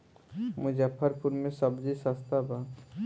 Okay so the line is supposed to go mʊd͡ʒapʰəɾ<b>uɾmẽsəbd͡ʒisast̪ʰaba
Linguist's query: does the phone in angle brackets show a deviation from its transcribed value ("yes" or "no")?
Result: yes